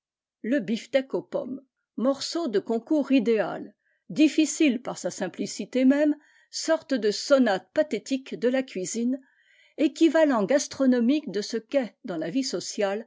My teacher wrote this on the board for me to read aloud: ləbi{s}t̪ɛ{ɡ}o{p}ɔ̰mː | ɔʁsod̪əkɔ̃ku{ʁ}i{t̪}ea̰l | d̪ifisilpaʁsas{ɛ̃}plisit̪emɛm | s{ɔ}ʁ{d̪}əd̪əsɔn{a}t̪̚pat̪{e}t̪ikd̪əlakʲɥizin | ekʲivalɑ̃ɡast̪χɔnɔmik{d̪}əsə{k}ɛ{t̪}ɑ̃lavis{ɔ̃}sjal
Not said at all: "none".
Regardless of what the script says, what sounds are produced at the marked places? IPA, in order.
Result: f, k, p, ʁ, d̪, ɛ̃, ɔ, t̪, a, e, d̪, k, d̪, ɔ

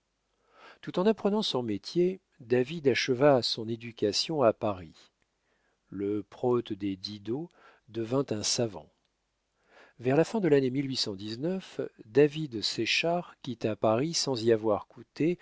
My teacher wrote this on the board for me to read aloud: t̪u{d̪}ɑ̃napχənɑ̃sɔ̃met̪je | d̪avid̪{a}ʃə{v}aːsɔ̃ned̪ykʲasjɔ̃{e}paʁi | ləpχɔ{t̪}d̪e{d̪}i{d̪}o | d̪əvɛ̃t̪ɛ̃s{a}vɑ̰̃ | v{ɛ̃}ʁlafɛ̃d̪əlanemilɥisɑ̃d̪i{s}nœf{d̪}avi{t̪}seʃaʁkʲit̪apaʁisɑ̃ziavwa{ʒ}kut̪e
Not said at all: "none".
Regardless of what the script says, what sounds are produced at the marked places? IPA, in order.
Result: t̪, a, v, a, t̪, d̪, d̪, a, ɛ, z, d̪, d̪, ʁ

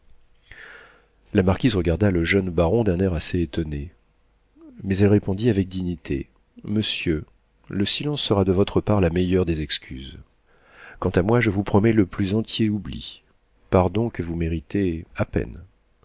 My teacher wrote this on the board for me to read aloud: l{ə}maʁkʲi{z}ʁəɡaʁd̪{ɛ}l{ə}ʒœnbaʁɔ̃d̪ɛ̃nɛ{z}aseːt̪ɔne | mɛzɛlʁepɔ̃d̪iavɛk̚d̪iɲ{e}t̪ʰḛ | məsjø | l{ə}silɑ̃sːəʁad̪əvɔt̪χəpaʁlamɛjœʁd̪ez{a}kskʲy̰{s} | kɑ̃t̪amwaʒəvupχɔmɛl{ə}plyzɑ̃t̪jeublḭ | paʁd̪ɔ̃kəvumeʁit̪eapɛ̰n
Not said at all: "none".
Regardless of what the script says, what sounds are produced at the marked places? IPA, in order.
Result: a, z, a, ə, ʁ, i, ə, ɛ, z, ə

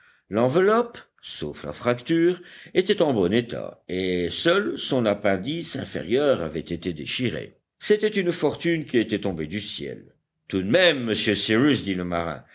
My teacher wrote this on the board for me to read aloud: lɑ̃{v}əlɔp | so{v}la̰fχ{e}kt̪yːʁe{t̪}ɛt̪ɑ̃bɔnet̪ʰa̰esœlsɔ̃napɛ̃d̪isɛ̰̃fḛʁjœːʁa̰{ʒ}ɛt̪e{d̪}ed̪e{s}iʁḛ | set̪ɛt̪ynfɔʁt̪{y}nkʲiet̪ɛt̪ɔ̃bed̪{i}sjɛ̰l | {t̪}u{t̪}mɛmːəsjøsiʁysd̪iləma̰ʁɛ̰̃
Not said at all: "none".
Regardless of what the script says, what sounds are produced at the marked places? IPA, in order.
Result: v, f, a, t̪, v, t̪, ʃ, y, y, t̪, d̪

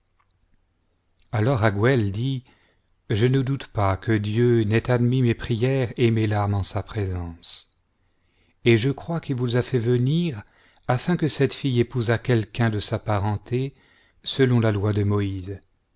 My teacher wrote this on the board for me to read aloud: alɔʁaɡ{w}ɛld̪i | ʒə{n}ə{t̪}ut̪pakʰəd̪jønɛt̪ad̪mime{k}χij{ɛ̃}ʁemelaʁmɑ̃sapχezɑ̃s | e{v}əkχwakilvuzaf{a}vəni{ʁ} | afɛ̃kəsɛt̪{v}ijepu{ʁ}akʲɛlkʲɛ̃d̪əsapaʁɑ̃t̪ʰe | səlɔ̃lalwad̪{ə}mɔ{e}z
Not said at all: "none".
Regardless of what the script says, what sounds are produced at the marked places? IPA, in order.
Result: w, n, d̪, p, ɛ, ʒ, ɛ, ʁ, f, z, ə, i

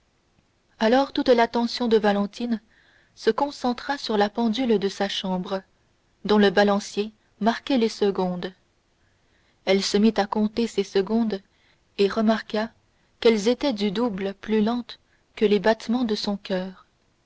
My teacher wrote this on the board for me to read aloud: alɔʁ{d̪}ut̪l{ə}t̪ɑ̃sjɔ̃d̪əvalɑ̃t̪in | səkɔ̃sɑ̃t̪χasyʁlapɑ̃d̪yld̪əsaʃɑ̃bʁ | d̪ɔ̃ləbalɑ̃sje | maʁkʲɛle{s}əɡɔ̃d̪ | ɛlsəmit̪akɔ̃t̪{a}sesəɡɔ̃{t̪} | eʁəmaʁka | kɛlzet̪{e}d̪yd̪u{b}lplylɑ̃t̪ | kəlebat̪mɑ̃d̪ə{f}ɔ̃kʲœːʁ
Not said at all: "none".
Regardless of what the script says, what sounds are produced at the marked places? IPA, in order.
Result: t̪, a, s, e, d̪, ɛ, b, s

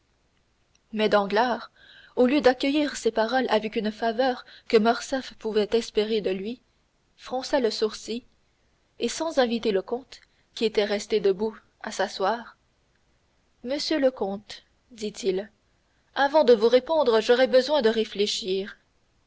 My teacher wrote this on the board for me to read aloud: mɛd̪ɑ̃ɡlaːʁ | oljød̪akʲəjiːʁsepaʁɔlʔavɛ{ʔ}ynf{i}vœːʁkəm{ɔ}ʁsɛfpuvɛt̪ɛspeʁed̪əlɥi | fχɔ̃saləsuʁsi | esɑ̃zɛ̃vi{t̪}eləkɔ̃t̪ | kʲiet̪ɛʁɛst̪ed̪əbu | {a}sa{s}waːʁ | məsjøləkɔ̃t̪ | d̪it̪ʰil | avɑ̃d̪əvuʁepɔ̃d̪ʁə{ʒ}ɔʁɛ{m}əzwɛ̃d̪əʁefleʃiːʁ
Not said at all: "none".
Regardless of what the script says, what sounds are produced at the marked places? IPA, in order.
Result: k, a, ɔ, t̪, a, s, ʒ, b

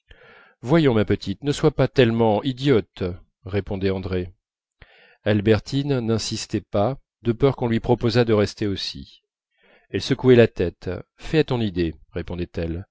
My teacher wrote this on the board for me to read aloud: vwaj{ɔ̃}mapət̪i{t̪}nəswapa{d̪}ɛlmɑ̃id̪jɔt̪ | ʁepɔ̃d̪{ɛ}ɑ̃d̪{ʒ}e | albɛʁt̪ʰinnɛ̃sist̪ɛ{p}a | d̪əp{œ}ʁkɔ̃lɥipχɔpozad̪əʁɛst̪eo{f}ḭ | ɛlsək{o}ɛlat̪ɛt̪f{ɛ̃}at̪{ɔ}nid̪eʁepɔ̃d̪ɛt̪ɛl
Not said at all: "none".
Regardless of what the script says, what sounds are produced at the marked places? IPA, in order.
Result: ɔ̃, t̪, t̪, ɛ, ʁ, p, œ, s, u, ɛ, ɔ̃

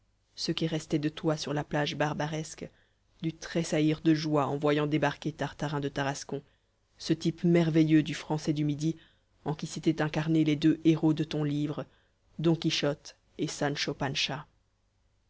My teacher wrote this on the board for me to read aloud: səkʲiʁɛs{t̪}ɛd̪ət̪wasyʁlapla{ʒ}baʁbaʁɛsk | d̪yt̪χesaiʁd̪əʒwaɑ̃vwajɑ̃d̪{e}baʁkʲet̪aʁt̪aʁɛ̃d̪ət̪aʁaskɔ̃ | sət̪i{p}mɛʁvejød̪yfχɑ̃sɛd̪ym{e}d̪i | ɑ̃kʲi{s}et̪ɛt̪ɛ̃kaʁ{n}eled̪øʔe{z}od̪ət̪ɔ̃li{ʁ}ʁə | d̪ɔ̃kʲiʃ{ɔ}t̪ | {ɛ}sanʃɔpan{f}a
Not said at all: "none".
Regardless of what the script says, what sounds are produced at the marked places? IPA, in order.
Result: t̪, ʒ, e, p, i, s, n, ʁ, v, ɔ, e, ʃ

